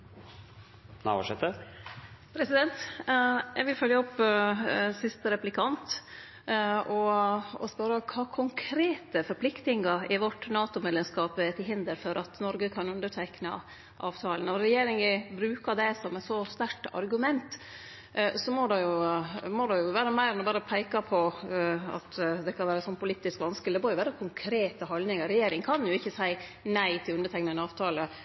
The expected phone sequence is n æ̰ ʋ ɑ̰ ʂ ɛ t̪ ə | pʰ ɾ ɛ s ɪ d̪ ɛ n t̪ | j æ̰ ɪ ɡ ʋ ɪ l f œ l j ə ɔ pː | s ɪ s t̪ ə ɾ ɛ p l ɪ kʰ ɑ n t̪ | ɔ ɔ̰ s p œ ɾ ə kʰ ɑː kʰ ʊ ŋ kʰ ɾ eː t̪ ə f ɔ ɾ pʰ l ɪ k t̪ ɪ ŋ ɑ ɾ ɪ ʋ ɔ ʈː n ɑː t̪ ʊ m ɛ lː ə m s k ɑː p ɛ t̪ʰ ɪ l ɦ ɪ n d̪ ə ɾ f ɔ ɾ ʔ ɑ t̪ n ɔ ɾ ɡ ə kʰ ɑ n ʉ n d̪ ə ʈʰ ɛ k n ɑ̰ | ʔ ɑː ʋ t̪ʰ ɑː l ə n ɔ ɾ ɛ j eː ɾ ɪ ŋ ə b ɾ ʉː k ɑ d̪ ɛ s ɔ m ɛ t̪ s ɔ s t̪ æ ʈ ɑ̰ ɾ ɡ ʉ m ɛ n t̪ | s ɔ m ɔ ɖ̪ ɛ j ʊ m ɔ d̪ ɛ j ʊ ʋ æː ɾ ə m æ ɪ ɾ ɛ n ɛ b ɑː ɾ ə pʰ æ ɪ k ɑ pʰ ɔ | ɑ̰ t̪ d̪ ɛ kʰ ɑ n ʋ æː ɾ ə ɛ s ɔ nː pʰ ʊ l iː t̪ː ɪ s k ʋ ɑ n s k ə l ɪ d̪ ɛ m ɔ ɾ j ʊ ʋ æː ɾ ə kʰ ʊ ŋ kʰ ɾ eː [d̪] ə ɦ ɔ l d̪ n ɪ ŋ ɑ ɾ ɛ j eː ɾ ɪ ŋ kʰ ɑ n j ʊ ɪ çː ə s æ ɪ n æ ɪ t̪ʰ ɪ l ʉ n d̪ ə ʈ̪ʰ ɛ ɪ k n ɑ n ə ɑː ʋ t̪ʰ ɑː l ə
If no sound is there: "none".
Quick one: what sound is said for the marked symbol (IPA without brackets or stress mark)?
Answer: t̪